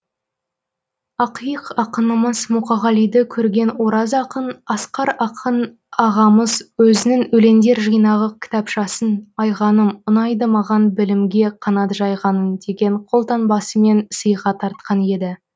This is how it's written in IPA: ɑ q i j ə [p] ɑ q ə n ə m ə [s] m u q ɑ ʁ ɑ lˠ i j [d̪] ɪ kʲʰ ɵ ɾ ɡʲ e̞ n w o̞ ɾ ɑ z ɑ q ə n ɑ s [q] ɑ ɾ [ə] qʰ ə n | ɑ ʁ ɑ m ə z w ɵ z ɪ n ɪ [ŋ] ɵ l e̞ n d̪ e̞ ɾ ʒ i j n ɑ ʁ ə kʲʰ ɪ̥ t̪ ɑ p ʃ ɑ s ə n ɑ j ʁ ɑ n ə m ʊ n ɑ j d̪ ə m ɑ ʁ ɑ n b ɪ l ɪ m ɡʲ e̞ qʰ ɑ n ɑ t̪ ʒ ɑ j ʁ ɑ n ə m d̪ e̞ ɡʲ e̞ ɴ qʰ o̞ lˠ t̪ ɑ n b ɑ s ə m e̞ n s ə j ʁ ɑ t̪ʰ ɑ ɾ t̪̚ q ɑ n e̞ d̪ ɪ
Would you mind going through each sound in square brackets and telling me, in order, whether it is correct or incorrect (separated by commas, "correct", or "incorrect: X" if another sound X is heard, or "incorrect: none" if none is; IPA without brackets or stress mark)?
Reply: incorrect: q, incorrect: z, correct, correct, incorrect: ɑ, correct